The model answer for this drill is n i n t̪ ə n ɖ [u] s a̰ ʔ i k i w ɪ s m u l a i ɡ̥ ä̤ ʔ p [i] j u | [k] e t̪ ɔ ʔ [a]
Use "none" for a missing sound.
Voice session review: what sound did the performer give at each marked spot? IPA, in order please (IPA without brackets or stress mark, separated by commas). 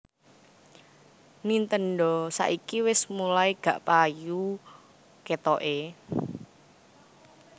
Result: ɔ, a, k, e